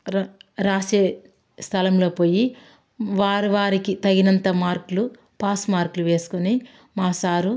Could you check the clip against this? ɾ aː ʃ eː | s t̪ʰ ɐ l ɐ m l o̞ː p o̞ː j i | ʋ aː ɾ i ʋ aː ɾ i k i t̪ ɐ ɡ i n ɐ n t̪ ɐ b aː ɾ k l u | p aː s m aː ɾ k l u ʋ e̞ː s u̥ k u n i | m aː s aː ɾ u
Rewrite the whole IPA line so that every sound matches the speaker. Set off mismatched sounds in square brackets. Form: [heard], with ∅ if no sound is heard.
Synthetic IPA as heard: ɾ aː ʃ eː | s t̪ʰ ɐ l ɐ m l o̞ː p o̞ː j i | ʋ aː ɾ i ʋ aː ɾ i k i t̪ ɐ ɡ i n ɐ n t̪ ɐ [m] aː ɾ k l u | p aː s m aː ɾ k l u ʋ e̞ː s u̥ k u n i | m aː s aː ɾ u